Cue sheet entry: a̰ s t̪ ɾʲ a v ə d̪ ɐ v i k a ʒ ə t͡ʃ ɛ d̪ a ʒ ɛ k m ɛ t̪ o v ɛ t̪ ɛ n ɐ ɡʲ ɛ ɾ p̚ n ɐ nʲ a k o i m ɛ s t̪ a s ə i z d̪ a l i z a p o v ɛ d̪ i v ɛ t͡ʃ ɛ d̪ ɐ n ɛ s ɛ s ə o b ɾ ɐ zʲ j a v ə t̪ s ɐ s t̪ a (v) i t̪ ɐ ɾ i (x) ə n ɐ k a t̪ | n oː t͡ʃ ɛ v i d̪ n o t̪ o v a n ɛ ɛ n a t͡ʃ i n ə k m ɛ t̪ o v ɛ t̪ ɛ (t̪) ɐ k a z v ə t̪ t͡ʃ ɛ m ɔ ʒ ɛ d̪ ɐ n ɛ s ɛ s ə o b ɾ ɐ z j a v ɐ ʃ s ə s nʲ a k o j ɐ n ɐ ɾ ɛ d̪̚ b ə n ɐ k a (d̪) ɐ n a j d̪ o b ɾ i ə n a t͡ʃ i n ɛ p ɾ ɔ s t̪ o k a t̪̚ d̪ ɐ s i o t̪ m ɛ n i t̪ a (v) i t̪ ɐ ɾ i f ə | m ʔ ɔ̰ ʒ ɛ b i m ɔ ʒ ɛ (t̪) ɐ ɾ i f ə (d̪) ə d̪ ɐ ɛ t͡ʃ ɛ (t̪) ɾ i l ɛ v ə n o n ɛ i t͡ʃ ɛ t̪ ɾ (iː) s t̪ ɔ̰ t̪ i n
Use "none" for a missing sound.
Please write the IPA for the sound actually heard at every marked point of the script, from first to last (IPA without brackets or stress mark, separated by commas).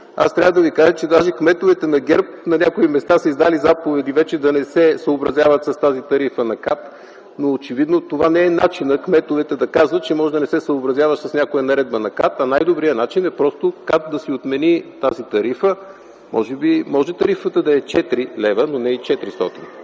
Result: z, f, d̪, t̪, z, t̪, t̪, t̪, i